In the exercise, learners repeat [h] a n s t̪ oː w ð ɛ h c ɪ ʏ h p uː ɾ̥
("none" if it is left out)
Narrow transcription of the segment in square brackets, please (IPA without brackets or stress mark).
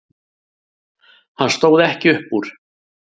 h